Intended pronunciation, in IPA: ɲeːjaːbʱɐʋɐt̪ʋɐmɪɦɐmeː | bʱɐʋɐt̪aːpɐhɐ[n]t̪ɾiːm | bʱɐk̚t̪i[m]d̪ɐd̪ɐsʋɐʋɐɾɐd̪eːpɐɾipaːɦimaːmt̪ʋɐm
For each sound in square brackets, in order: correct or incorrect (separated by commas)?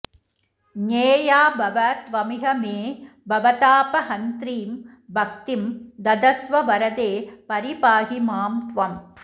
correct, correct